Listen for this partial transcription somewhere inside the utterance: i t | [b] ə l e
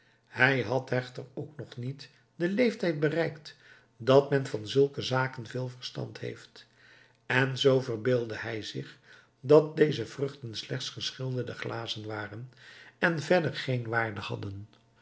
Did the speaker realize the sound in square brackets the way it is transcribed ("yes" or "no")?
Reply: no